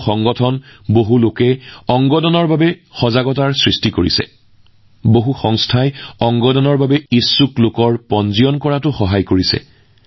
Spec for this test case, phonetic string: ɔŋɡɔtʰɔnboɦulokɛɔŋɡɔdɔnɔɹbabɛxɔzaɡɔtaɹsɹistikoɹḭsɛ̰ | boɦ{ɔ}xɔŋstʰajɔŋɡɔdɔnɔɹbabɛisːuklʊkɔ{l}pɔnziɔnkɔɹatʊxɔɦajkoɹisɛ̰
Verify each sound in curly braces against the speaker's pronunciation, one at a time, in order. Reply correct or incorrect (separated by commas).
incorrect, incorrect